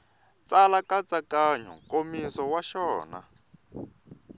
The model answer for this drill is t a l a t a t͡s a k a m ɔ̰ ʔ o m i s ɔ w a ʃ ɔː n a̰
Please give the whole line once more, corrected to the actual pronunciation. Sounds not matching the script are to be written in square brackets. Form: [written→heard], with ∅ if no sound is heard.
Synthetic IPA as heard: [t→t͡s] a l a [t→k] a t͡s a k a [m→ɲ] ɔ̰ [ʔ→k] o m i s ɔ w a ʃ ɔː n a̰